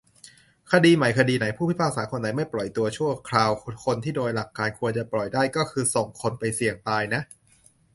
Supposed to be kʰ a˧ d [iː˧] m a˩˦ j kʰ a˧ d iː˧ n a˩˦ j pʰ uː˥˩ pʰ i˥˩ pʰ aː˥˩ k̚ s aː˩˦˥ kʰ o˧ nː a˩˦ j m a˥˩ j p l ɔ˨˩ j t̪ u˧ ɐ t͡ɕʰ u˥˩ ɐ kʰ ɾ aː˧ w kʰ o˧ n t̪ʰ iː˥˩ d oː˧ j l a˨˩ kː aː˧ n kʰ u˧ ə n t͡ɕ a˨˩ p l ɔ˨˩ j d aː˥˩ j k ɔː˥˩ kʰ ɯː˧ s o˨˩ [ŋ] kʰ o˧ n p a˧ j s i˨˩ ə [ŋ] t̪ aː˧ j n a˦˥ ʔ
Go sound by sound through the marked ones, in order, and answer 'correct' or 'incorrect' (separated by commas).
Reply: correct, correct, correct